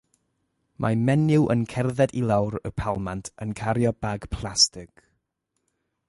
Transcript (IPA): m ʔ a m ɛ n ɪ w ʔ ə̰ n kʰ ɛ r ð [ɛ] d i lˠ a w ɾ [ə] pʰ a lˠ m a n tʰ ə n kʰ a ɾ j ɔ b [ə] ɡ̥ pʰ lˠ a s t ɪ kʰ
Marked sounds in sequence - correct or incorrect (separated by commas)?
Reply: correct, correct, incorrect